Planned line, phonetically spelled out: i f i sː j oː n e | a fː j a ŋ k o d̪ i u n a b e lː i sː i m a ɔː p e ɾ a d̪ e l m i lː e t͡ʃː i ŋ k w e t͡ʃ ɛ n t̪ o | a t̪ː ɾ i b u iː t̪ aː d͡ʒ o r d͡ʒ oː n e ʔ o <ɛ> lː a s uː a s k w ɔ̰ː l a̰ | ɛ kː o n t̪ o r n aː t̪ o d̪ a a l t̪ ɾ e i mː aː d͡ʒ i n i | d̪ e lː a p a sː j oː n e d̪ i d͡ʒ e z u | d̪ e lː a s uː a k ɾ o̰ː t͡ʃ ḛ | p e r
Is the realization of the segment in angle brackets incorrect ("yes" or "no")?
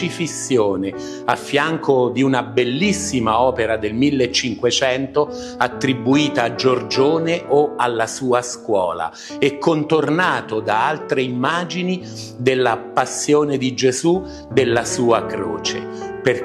yes